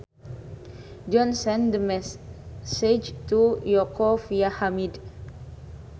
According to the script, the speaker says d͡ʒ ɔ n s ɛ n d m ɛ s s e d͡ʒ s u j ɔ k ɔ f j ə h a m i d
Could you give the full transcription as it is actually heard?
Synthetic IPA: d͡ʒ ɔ n s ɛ n d m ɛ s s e d͡ʒ t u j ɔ k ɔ f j a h a m i d